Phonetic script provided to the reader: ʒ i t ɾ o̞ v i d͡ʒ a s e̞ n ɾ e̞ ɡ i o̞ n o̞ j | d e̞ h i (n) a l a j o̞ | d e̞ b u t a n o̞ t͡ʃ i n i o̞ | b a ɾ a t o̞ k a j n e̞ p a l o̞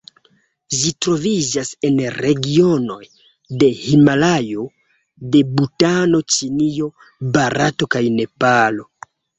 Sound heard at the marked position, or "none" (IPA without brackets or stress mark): m